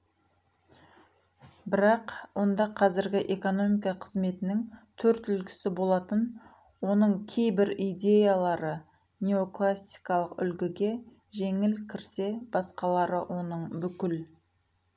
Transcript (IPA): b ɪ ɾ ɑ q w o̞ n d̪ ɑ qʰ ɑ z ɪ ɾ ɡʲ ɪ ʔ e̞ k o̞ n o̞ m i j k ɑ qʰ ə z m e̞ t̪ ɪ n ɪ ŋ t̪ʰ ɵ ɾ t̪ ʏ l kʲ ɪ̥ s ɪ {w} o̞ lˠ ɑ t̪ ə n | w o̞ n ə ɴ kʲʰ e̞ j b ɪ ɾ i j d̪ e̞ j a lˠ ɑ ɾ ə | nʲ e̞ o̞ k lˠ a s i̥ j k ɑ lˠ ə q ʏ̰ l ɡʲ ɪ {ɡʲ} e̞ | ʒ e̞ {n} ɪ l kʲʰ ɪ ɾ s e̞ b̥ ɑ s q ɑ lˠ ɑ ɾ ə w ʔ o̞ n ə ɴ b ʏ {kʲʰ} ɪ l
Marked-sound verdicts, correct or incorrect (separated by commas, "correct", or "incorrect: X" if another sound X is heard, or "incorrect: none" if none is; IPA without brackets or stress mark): incorrect: b, correct, incorrect: ŋ, incorrect: kʲ